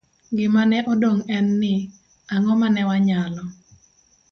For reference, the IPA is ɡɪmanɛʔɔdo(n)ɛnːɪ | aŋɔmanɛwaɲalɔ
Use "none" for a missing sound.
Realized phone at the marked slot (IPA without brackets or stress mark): ŋ